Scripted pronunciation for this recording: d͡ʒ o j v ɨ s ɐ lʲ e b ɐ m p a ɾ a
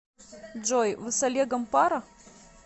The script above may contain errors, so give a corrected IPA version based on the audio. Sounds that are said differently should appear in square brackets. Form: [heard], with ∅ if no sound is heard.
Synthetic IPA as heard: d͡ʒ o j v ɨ s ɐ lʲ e [ɡ] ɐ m p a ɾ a